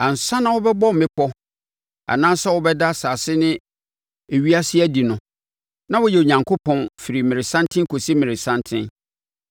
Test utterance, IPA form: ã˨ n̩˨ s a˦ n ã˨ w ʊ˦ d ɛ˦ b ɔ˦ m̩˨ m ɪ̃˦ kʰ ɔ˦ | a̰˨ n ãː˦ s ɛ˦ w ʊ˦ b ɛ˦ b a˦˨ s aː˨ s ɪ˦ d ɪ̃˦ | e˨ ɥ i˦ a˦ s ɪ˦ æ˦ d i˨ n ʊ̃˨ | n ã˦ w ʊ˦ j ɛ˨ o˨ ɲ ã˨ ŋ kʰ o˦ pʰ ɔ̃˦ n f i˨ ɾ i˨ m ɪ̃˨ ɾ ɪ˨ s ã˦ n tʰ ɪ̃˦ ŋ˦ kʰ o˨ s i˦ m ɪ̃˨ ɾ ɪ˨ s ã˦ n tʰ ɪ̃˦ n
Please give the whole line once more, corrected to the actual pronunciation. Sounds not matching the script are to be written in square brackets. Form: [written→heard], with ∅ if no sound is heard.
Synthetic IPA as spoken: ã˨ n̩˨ s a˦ n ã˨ w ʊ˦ [d→b] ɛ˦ b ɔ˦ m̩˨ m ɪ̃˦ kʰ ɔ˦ | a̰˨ n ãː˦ s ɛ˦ w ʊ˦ b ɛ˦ [b→d] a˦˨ s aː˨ s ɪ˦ [d→n] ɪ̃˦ | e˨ ɥ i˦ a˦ s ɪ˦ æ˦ d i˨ n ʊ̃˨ | n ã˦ w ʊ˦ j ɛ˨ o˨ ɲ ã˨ ŋ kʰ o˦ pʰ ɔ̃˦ n f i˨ ɾ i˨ m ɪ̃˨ ɾ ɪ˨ s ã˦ n tʰ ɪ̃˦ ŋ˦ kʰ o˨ s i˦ m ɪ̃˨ ɾ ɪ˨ s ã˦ n tʰ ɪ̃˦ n